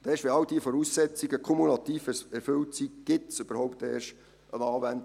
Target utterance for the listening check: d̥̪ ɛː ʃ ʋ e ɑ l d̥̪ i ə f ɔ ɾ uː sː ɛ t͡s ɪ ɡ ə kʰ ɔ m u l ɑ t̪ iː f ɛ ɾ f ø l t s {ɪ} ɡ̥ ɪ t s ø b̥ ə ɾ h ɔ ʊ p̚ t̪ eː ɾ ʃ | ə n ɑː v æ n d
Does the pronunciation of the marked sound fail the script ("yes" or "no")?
yes